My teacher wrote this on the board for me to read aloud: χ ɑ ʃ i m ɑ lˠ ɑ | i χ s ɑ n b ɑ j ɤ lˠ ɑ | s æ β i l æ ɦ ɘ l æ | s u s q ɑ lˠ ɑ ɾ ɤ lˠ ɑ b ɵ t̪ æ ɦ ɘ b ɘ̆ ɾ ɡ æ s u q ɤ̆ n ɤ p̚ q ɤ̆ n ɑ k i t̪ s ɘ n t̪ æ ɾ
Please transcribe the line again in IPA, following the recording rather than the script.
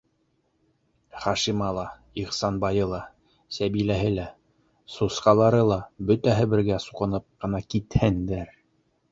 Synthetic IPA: χ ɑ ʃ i m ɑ lˠ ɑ | i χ s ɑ n b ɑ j ɤ lˠ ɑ | s æ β i l æ ɦ ɘ l æ | s u s q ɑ lˠ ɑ ɾ ɤ lˠ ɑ b ɵ t̪ æ ɦ ɘ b ɘ̆ ɾ ɡ æ s u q ɤ̆ n ɤ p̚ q ɤ̆ n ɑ k i t̪ h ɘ n d̪ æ ɾ